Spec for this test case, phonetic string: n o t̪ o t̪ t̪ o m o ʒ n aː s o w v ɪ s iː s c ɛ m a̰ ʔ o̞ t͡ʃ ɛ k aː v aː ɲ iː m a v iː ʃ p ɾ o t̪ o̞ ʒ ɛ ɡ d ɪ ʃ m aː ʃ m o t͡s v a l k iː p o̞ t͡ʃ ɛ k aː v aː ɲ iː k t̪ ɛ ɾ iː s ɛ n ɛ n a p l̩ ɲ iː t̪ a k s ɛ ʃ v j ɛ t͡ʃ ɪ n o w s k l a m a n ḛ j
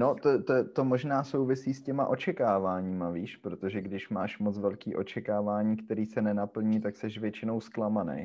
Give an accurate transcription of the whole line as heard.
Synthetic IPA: n o t̪ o t̪ t̪ o m o ʒ n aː s o w v ɪ s iː s c ɛ m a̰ ʔ o̞ t͡ʃ ɛ k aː v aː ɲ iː m a v iː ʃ p ɾ o t̪ o̞ ʒ ɛ ɡ d ɪ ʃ m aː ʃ m o t͡s v ɛ l k iː ʔ o̞ t͡ʃ ɛ k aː v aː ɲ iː k t̪ ɛ ɾ iː s ɛ n ɛ n a p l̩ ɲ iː t̪ a k s ɛ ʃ v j ɛ t͡ʃ ɪ n o w s k l a m a n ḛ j